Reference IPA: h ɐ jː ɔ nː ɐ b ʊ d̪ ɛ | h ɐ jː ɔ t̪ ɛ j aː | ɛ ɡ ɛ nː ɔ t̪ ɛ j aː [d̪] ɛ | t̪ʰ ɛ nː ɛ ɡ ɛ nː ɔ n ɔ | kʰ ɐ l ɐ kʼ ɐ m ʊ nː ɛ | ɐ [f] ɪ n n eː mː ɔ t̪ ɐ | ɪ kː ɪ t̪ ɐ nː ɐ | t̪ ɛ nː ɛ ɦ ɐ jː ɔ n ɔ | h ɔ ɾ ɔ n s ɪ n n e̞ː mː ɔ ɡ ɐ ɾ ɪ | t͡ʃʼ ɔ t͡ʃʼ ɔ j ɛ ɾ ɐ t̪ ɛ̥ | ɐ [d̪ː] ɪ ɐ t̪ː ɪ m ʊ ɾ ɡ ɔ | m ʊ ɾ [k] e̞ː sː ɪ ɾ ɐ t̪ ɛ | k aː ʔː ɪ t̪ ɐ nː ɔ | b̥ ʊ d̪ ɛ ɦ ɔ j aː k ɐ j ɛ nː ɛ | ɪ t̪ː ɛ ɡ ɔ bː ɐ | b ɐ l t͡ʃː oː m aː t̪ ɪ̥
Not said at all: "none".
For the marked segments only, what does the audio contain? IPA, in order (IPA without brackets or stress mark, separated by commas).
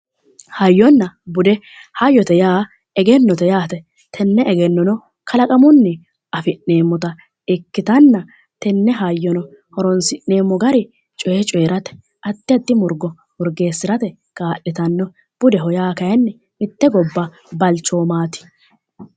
t̪, f, t̪ː, ɡ